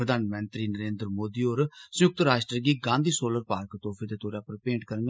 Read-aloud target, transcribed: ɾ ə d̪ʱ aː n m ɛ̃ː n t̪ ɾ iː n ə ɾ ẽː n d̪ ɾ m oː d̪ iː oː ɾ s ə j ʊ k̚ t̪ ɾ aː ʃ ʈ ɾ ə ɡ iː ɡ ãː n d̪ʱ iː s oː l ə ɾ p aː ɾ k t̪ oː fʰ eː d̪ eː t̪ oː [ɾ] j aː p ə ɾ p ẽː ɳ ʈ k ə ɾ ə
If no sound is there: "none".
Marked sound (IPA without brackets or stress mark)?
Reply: ɾ